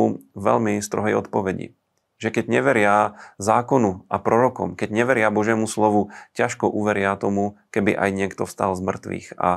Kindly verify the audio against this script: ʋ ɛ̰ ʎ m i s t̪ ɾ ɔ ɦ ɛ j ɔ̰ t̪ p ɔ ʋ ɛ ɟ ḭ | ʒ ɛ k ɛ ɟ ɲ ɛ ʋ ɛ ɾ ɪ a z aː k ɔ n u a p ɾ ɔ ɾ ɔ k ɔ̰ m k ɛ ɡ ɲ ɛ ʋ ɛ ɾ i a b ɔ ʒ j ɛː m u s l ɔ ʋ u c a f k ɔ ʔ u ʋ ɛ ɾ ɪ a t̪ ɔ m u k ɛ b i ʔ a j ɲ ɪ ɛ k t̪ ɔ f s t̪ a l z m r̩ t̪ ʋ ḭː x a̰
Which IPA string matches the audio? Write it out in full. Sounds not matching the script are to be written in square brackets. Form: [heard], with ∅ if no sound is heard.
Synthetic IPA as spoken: ʋ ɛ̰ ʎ m i s t̪ ɾ ɔ ɦ ɛ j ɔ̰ t̪ p ɔ ʋ ɛ ɟ ḭ | ʒ ɛ k ɛ ɟ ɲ ɛ ʋ ɛ ɾ ɪ a z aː k ɔ n u a p ɾ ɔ ɾ ɔ k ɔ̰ m k ɛ [ɟ] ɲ ɛ ʋ ɛ ɾ [ɪ] a b ɔ ʒ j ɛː m u s l ɔ ʋ u c a [ʃ] k ɔ ʔ u ʋ ɛ ɾ ɪ a t̪ ɔ m u k ɛ b i ʔ a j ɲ ɪ ɛ k t̪ ɔ f s t̪ a l z m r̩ t̪ ʋ ḭː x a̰